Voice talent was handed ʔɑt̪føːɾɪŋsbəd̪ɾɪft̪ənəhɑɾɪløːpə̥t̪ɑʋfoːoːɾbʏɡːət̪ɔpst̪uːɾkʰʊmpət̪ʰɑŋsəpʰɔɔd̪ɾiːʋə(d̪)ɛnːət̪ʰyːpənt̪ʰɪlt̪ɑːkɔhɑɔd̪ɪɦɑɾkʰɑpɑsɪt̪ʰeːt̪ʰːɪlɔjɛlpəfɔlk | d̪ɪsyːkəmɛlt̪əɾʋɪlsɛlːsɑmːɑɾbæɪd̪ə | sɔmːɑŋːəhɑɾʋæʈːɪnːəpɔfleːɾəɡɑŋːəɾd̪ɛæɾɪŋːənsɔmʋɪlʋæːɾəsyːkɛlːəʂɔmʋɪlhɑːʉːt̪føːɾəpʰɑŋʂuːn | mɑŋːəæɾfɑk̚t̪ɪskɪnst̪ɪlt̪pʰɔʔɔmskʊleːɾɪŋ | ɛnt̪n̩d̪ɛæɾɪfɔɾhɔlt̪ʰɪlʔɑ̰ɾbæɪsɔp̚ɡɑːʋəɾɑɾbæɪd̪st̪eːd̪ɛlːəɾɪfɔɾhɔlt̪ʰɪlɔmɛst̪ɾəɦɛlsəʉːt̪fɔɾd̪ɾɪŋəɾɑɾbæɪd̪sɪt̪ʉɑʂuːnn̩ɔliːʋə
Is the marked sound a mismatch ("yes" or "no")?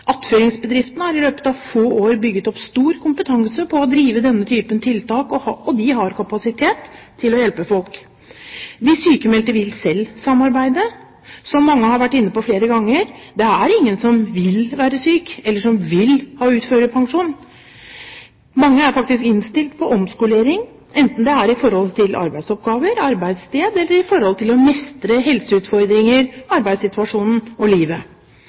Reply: no